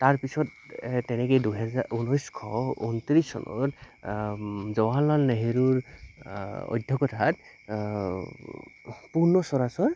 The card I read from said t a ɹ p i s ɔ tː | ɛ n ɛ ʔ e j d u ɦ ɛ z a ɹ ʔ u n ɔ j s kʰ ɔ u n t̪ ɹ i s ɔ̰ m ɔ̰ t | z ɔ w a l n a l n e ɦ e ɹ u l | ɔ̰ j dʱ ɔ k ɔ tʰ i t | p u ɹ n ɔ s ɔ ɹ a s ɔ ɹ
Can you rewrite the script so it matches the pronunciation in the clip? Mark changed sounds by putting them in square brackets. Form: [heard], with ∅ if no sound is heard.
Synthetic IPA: t a ɹ p i s ɔ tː | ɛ n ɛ [k] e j d u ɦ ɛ z a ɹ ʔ u n ɔ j s kʰ ɔ u n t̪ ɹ i s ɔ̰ [n] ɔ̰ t | z ɔ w a l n a l n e ɦ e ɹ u [ɹ] | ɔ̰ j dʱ ɔ k ɔ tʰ [a] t | p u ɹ n ɔ s ɔ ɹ a s ɔ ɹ

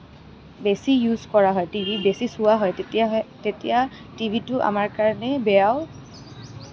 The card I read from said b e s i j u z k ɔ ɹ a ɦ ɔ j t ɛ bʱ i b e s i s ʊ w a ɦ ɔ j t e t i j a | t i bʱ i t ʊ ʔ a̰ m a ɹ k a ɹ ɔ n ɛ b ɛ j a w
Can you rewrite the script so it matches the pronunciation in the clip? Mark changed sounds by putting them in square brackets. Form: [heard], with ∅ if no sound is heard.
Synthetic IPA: b e s i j u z k ɔ ɹ a ɦ ɔ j t [i] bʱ i b e s i s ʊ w a ɦ ɔ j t e t i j a | t i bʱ i t ʊ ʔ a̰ m a ɹ k a ɹ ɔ n ɛ b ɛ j a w

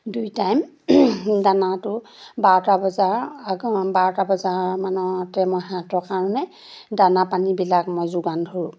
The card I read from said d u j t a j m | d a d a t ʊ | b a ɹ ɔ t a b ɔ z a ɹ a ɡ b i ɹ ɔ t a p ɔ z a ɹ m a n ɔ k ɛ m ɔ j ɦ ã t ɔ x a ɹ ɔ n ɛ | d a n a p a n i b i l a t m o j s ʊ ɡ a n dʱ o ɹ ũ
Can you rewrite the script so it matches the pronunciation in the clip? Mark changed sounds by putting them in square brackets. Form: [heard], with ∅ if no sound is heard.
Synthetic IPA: d u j t a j m | d a [n] a t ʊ | b a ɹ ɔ t a b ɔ z a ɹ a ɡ b [a] ɹ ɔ t a [b] ɔ z a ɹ m a n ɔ [t] ɛ m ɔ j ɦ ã t ɔ [k] a ɹ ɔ n ɛ | d a n a p a n i b i l a [k] m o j [z] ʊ ɡ a n dʱ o ɹ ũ

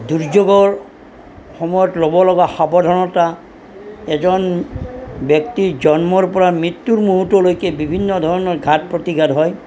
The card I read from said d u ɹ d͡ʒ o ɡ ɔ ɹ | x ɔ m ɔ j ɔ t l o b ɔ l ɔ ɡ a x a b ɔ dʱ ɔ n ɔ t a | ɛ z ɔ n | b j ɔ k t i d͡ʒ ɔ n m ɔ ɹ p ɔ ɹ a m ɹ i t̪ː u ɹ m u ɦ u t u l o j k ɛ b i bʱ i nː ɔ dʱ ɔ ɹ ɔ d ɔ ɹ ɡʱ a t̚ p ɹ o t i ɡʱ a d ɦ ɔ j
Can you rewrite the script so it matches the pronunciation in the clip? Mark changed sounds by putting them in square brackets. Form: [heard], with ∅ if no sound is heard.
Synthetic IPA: d u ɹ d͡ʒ o ɡ ɔ ɹ | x ɔ m ɔ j ɔ t l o b ɔ l ɔ ɡ a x a b ɔ dʱ ɔ n ɔ t a | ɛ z ɔ n | b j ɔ k t i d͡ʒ ɔ n m ɔ ɹ p ɔ ɹ a m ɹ i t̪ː u ɹ m u ɦ u t [ɔ] l o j k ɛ b i bʱ i nː ɔ dʱ ɔ ɹ ɔ [n] ɔ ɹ ɡʱ a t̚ p ɹ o t i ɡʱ a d ɦ ɔ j

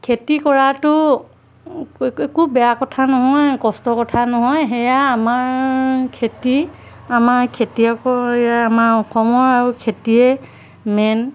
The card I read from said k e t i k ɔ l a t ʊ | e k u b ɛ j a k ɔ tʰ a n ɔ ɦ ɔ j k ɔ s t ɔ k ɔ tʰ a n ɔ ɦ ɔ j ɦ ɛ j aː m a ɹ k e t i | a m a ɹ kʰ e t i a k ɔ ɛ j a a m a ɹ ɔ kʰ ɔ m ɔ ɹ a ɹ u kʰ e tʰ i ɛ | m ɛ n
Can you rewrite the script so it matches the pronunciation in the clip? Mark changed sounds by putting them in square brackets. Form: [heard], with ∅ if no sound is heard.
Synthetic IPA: [kʰ] e t i k ɔ [ɹ] a t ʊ | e k u b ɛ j a k ɔ tʰ a n ɔ ɦ ɔ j k ɔ s t ɔ k ɔ tʰ a n ɔ ɦ ɔ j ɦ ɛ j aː m a ɹ [kʰ] e t i | a m a ɹ kʰ e t i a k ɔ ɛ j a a m a ɹ ɔ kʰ ɔ m ɔ ɹ a ɹ u kʰ e [t] i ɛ | m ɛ n

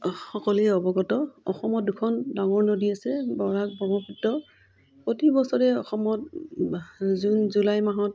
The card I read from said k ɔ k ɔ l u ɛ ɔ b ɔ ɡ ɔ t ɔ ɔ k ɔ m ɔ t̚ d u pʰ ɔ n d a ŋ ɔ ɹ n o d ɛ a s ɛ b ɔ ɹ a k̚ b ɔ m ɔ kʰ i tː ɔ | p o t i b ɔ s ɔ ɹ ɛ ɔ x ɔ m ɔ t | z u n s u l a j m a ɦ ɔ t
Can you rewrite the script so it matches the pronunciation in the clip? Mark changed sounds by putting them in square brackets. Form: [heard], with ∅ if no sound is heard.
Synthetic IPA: [x] ɔ k ɔ l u ɛ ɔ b ɔ ɡ ɔ t ɔ ɔ [x] ɔ m ɔ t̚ d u [kʰ] ɔ n d a ŋ ɔ ɹ n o d [i] a s ɛ b ɔ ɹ a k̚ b ɔ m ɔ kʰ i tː ɔ | p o t i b ɔ s ɔ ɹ ɛ ɔ x ɔ m ɔ t | z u n [z] u l a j m a ɦ ɔ t

